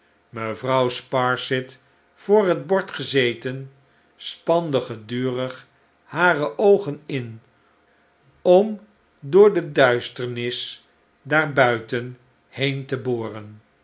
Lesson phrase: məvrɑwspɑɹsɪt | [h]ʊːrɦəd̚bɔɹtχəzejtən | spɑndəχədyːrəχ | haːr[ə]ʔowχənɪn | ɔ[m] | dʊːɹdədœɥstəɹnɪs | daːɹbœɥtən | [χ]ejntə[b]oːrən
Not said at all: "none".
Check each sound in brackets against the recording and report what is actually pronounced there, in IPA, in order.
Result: f, ə, m, h, b

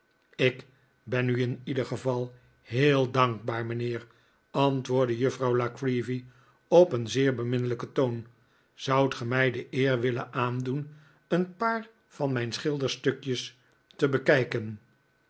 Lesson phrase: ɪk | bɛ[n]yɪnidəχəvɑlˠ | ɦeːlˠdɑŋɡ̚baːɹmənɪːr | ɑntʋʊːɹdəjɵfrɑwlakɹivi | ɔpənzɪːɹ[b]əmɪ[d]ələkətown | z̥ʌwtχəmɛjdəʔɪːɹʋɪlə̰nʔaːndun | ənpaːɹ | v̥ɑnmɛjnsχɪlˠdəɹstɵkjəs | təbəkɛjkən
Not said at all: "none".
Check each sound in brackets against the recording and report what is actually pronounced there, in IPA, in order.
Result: n, b, n

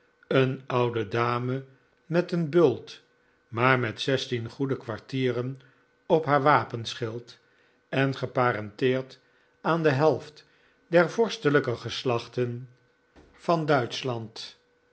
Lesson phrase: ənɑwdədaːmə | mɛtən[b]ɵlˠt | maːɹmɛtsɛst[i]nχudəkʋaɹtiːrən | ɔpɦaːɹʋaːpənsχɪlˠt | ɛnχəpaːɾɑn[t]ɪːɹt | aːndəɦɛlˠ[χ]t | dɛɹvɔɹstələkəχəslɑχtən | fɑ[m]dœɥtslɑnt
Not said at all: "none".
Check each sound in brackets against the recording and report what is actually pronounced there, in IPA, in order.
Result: b, i, t, f, n

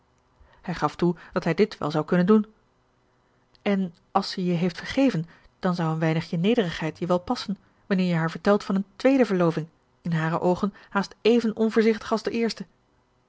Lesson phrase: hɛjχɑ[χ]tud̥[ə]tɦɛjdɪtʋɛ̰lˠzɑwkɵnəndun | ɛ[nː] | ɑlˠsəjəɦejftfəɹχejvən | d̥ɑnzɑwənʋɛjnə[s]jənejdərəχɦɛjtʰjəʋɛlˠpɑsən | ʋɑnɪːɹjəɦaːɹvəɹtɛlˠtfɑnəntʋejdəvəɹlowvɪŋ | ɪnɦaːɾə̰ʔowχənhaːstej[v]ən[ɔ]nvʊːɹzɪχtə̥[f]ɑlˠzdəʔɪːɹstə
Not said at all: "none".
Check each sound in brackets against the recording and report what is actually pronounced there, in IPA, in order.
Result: f, ɑ, n, χ, v, ɔ, χ

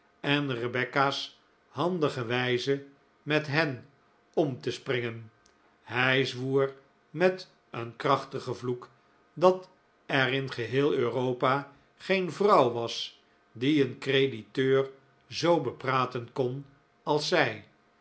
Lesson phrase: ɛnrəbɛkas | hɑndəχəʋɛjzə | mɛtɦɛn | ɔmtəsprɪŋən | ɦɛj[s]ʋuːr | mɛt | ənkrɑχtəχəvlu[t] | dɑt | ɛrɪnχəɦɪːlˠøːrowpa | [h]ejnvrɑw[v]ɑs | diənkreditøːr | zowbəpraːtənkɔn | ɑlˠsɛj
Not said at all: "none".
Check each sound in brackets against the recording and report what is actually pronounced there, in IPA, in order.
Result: z, k, χ, ʋ

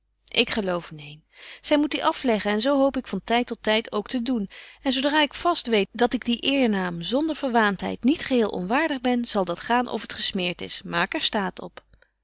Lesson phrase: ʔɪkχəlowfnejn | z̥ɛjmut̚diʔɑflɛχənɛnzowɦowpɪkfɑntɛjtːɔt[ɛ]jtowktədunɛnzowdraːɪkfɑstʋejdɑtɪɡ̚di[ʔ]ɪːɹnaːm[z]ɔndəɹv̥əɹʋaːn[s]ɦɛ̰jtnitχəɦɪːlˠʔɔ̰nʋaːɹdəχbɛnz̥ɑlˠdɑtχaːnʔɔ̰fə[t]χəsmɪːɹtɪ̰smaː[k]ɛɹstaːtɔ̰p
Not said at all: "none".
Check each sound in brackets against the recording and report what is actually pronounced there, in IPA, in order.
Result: ɛ, ʔ, z, t, t, k

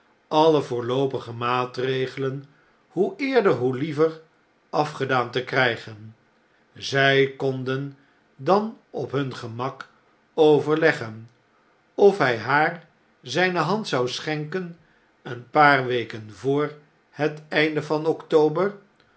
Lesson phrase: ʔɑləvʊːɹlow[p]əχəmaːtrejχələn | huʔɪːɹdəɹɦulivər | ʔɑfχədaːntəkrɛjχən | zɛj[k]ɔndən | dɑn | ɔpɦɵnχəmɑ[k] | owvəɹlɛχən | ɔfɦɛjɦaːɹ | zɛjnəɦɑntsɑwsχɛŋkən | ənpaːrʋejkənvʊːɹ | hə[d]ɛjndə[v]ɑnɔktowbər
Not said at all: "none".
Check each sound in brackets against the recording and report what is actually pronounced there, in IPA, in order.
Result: p, k, k, t, v

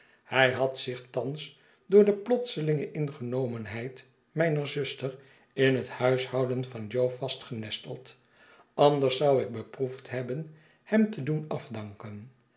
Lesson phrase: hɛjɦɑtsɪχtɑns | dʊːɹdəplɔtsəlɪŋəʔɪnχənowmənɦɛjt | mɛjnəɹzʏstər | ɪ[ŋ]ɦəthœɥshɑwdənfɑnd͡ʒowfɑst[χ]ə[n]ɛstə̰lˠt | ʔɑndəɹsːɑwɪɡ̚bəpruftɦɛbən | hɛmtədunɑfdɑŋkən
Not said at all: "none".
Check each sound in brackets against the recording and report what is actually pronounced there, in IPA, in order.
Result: n, χ, n

